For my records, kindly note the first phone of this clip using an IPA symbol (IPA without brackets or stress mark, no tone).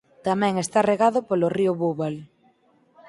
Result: t̪